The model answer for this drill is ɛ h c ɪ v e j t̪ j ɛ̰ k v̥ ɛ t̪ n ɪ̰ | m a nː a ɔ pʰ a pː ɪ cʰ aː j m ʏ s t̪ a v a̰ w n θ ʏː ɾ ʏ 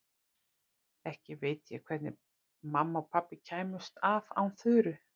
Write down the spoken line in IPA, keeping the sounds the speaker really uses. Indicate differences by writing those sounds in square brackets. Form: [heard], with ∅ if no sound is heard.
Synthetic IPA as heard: ɛ h c ɪ v e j t̪ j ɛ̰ [kʰ] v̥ ɛ t̪ n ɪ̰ | m a [mː] a ɔ pʰ a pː ɪ cʰ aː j m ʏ s t̪ a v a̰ w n θ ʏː ɾ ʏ